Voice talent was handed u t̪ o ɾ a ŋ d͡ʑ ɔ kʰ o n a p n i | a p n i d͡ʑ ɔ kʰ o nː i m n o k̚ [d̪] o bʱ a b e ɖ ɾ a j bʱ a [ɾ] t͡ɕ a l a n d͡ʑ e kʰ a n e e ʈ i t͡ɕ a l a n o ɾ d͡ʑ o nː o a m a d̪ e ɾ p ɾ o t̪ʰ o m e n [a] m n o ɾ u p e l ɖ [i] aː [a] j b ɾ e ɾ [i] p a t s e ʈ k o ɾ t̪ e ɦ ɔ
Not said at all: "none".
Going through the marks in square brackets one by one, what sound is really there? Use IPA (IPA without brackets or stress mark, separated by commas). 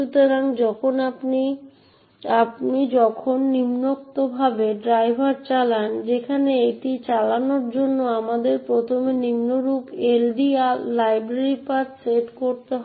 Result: t̪, ɾ, i, i, a, i